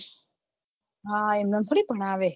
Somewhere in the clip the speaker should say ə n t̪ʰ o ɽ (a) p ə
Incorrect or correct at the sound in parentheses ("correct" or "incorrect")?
incorrect